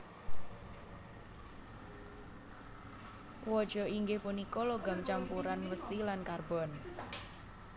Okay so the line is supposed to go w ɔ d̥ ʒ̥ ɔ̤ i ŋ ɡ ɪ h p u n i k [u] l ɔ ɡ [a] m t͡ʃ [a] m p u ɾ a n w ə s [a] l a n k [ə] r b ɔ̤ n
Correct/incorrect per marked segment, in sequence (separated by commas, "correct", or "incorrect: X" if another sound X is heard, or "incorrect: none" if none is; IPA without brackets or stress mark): incorrect: ɔ, correct, correct, incorrect: i, incorrect: a